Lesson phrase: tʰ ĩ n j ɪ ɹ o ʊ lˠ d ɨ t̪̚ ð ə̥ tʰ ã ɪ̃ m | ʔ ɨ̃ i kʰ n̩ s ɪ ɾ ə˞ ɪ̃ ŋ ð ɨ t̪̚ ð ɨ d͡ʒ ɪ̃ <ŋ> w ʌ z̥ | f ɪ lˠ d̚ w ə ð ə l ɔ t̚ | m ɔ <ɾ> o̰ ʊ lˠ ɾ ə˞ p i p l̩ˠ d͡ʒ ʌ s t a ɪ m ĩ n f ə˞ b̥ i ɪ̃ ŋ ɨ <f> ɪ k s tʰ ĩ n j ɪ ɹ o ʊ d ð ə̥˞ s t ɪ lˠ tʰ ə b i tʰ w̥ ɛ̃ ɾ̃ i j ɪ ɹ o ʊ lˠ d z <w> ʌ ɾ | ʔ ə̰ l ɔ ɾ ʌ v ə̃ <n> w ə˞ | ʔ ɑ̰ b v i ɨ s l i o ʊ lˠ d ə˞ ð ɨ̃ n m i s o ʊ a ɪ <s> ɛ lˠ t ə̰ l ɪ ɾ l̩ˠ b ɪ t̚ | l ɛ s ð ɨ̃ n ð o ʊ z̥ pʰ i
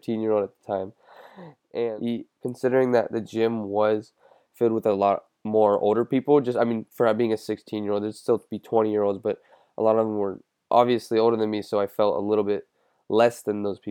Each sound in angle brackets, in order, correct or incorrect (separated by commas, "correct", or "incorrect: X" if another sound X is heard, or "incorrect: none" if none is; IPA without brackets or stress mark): incorrect: m, incorrect: ɹ, incorrect: s, incorrect: b, incorrect: m, incorrect: f